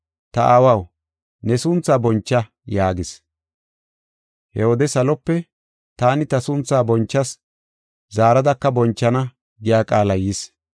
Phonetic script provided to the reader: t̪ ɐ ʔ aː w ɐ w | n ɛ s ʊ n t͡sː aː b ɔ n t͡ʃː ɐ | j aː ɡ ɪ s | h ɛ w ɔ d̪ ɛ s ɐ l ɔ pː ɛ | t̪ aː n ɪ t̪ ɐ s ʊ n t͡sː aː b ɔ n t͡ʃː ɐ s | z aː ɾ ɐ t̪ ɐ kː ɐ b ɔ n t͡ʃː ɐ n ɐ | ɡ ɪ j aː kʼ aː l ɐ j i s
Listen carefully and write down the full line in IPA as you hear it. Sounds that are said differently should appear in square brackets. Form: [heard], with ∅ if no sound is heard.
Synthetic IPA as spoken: t̪ ɐ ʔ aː w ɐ w | n ɛ s ʊ n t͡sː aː b ɔ n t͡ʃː ɐ | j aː ɡ ɪ s | h ɛ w ɔ d̪ ɛ s ɐ l ɔ pː ɛ | t̪ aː n ɪ t̪ ɐ s ʊ n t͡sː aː b ɔ n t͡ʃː ɐ s | z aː ɾ ɐ [d̪] ɐ kː ɐ b ɔ n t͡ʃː ɐ n ɐ | ɡ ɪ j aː kʼ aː l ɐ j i s